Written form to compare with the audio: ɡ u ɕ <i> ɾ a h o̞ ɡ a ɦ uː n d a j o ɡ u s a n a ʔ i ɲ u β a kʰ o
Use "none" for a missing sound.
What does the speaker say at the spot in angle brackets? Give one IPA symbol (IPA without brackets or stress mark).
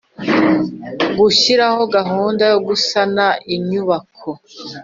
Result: i